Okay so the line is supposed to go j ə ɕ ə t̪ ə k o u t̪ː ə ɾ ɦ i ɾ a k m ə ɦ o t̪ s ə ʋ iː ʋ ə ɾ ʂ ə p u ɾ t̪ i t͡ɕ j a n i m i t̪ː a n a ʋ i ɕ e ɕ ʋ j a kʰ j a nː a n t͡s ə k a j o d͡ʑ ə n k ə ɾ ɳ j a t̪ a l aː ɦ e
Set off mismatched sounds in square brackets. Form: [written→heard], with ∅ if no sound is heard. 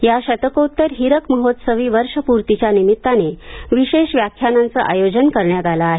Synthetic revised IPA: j [ə→a] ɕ ə t̪ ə k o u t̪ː ə ɾ ɦ i ɾ [a→ə] k m ə ɦ o t̪ s ə ʋ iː ʋ ə ɾ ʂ ə p u ɾ t̪ i t͡ɕ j a n i m i t̪ː a n [a→e] ʋ i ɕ e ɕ ʋ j a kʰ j a [nː→n] a n t͡s ə [k→ʔ] a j o d͡ʑ ə n k ə ɾ ɳ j a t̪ a l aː ɦ e